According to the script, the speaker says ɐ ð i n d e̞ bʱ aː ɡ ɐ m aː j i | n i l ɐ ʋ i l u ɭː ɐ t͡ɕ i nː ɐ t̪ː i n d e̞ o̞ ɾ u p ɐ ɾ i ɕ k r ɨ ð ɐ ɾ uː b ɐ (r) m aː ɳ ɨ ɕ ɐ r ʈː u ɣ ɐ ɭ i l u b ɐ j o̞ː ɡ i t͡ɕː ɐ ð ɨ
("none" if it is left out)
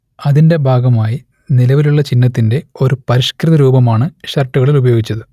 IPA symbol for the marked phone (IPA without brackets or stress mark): none